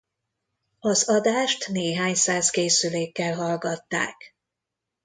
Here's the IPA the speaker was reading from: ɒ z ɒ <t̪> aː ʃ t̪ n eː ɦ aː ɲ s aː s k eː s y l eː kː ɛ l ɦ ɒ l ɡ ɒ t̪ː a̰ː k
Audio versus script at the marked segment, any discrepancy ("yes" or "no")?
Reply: yes